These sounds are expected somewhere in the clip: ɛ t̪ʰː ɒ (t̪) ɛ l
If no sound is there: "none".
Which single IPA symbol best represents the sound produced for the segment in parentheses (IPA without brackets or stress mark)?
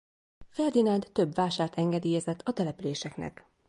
t̪